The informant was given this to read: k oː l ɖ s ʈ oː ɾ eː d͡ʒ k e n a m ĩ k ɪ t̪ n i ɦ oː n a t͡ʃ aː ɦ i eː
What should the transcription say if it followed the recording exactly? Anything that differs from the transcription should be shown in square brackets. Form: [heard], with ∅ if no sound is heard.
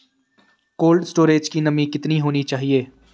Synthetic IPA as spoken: k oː l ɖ s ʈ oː ɾ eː d͡ʒ k [i] n [ɐ] m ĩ k ɪ t̪ n i ɦ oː n [i] t͡ʃ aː ɦ i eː